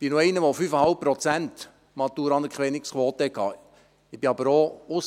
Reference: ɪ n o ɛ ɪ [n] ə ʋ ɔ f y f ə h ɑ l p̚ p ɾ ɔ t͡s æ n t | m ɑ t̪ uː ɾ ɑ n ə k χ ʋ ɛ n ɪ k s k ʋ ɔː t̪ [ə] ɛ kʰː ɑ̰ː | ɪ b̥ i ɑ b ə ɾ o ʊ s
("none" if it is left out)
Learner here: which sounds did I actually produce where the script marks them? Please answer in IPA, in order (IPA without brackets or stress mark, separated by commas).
n, ə